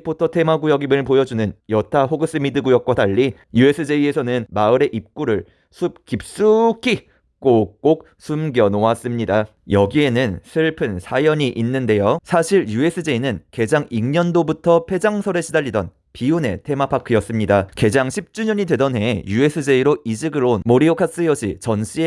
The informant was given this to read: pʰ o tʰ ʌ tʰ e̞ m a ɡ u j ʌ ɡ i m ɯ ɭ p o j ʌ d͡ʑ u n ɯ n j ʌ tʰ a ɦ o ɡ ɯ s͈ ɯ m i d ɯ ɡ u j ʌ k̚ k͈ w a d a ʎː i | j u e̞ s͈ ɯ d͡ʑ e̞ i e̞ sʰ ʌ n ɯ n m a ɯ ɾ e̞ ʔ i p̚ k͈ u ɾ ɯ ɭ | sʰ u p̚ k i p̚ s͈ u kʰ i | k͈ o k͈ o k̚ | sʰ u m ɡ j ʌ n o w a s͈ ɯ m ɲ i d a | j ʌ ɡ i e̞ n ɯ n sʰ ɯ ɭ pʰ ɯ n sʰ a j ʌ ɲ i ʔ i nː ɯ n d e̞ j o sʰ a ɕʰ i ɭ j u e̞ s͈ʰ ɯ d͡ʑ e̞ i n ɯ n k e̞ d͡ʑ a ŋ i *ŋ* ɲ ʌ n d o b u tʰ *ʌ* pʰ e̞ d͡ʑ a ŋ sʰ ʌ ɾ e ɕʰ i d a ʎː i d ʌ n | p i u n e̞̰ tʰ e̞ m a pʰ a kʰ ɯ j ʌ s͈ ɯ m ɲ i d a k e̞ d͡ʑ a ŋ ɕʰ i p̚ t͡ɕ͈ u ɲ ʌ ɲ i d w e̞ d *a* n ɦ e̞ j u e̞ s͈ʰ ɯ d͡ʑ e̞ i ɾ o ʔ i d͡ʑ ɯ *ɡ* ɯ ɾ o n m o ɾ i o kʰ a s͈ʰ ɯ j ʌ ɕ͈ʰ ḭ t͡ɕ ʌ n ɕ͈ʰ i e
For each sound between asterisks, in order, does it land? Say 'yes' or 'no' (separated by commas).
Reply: yes, yes, no, yes